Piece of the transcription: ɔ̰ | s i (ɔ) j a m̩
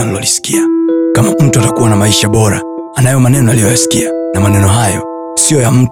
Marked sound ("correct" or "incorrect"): correct